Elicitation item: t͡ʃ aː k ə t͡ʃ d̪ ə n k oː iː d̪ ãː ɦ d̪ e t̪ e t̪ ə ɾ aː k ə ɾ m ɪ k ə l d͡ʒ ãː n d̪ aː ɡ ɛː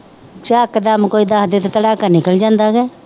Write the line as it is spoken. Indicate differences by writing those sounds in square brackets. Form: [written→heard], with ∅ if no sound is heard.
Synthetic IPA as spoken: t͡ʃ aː k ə [t͡ʃ→∅] d̪ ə [n→m] k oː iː d̪ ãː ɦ d̪ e t̪ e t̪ ə [ɾ→ɽ] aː k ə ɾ [m→n] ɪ k ə l d͡ʒ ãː n d̪ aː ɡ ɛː